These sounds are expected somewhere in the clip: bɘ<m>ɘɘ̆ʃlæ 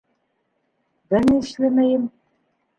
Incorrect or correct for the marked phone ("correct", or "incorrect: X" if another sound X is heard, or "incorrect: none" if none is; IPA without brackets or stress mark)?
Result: incorrect: n